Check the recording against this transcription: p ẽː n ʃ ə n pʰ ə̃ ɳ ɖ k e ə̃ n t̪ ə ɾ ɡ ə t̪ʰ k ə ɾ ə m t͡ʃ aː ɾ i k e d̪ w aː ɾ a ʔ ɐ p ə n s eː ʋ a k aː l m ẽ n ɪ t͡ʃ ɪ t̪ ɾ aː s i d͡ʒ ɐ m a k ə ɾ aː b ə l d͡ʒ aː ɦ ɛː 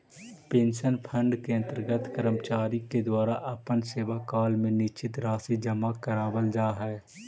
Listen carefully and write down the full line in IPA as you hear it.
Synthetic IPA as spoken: p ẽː n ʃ ə n pʰ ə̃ ɳ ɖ k e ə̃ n t̪ ə ɾ ɡ ə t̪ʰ k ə ɾ ə m t͡ʃ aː ɾ i k e d̪ w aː ɾ a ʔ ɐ p ə n s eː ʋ a k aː l m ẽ n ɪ t͡ʃ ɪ t̪ ɾ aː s i d͡ʒ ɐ m a k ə ɾ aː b ə l d͡ʒ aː ɦ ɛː